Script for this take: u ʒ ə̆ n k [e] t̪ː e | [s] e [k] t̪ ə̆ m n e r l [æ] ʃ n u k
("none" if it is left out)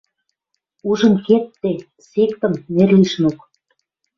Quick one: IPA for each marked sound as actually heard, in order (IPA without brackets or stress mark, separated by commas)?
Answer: e, s, k, i